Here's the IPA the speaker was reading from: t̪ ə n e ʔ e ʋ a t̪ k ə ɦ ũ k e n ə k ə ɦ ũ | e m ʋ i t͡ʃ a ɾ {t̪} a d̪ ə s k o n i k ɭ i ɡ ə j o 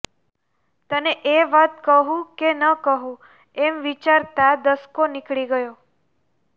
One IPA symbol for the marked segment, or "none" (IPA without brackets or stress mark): t̪